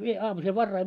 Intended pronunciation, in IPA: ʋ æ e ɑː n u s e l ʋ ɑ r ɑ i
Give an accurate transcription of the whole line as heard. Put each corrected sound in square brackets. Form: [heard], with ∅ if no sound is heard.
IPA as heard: ʋ [i] e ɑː [m] u s e l ʋ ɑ [rː] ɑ i

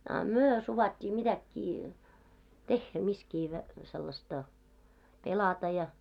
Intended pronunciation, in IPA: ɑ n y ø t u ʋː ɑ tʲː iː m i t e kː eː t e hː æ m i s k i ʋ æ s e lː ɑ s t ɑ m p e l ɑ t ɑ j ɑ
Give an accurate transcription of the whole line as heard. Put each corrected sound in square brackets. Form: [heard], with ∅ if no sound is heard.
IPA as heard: ɑ [m] y ø [s] u [ʋ] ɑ tʲː iː m i t [æ] kː [iː] t e hː æ m i s k [iː] ʋ æ s e lː ɑ s t ɑ [∅] p e l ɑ t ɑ j ɑ

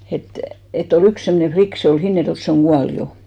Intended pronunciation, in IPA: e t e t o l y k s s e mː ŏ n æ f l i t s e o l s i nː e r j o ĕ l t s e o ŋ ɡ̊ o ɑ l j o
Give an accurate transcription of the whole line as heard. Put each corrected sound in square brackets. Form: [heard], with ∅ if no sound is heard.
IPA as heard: e t e t o l y k s s e mː ŏ n [e] f l i [k] s e o l [h] i nː e r j o ĕ l t s e o ŋ ɡ̊ [u] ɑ l j o

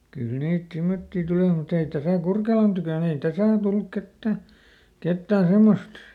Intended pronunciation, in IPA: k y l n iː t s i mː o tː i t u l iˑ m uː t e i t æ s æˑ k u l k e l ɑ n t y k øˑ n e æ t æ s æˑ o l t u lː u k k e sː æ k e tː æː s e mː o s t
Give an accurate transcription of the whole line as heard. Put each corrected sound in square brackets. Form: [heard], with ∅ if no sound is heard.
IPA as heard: k y l n iː t s i mː o tː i t u l iˑ m [u] t e i t æ s æˑ k u [r] k e l ɑ n t y k øˑ n e [i] t æ s æˑ o l t u lː u k k e [tː] æ k e tː æː s e mː o s t

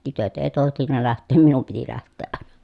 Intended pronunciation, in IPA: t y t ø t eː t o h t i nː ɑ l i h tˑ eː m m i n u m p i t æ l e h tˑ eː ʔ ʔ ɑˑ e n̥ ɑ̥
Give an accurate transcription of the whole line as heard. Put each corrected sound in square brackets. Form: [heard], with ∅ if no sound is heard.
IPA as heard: t y t ø t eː t o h t i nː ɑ l [æ] h tˑ eː m m i n u m p i t [i] l [æ] h tˑ eː ʔ ʔ ɑˑ e n̥ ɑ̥

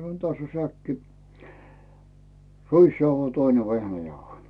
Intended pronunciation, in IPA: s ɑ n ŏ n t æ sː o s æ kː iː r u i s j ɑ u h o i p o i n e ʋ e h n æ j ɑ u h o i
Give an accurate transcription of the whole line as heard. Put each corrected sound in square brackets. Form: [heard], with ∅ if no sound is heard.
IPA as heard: s ɑ n ŏ n t æ sː o s æ kː [i] r u i s j ɑ u h o i [t] o i n e ʋ e h n æ j ɑ u h o i

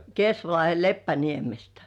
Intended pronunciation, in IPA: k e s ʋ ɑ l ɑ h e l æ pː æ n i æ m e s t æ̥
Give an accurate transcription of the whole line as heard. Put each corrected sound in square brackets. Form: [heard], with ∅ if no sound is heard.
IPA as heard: k e s ʋ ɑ l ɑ h e l [e] pː æ n i [e] m e s t æ̥

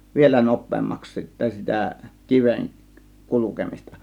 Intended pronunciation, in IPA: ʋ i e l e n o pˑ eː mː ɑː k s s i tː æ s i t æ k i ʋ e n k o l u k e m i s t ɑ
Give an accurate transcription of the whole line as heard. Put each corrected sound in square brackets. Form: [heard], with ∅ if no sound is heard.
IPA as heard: ʋ i e l [æ] n o pˑ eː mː [ɑ] k s s i tː æ s i t æ k i ʋ e n k [u] l u k e m i s t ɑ

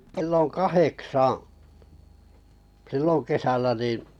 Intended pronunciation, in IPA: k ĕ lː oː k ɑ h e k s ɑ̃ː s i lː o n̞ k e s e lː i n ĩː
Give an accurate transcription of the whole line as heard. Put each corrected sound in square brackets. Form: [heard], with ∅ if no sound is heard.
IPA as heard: k ĕ lː [o] k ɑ h e k s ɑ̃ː s i lː o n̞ k e s [æ] lː [æ] n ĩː

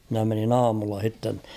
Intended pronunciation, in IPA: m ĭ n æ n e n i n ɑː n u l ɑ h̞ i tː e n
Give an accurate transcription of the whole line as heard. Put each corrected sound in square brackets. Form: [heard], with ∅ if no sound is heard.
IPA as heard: m ĭ n æ [m] e n i n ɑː [m] u [lː] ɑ h̞ i tː e n

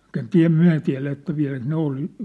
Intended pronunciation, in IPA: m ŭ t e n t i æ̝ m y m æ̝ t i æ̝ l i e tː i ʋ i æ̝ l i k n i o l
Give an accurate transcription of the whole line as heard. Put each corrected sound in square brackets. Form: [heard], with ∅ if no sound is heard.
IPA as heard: m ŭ t e n t i æ̝ m y [∅] æ̝ t i æ̝ l [æ] e tː [æ] ʋ i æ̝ l [æ] k n [e] o l

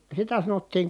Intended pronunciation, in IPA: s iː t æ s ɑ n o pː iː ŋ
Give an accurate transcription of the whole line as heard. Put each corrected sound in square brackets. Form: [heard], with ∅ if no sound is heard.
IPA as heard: s [i] t æ s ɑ n o [tː] iː ŋ

